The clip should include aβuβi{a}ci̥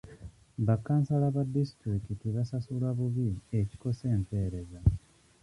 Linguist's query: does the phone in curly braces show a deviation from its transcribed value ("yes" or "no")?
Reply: yes